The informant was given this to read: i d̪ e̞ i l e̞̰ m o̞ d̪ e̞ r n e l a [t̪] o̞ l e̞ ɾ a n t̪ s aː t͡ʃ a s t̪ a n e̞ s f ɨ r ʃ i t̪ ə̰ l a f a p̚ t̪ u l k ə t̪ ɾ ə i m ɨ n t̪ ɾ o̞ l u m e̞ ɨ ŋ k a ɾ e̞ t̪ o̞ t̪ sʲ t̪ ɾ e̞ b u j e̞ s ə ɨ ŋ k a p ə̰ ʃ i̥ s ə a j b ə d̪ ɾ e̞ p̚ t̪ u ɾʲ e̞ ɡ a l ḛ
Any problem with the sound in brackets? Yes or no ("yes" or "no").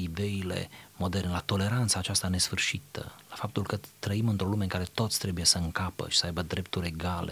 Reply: no